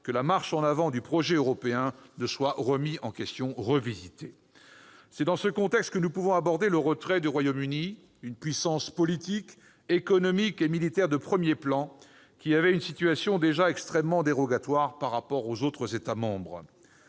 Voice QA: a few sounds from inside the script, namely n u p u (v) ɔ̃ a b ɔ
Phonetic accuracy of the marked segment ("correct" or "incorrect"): correct